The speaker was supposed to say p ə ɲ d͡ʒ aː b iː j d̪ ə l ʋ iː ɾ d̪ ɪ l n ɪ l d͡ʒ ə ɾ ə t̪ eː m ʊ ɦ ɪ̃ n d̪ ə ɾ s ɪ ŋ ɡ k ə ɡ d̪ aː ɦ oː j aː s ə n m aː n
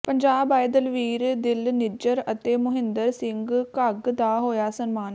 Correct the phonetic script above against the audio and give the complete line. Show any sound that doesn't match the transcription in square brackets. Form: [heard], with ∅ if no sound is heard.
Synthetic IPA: p ə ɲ d͡ʒ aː b [aː] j d̪ ə l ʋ iː ɾ d̪ ɪ l n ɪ [∅] d͡ʒ ə ɾ ə t̪ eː m ʊ ɦ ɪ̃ n d̪ ə ɾ s ɪ ŋ ɡ k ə ɡ d̪ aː ɦ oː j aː s ə n m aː n